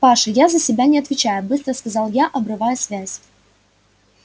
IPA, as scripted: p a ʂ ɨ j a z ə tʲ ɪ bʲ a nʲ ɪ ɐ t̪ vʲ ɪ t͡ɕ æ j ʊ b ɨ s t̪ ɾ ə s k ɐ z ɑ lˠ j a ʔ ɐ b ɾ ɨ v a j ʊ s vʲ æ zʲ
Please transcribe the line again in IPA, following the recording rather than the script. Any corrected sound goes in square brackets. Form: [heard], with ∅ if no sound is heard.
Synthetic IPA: p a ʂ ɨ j a z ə [sʲ] ɪ bʲ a nʲ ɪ ɐ t̪ vʲ ɪ t͡ɕ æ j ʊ b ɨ s t̪ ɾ ə s k ɐ z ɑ lˠ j a ʔ ɐ b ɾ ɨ v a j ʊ s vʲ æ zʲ